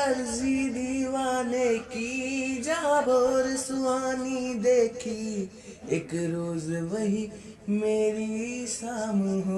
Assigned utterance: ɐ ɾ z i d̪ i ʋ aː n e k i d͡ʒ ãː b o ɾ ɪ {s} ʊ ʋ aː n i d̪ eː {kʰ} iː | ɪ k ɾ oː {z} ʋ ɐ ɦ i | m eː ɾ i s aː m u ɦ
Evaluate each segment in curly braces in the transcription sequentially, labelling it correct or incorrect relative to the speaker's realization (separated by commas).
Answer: correct, correct, correct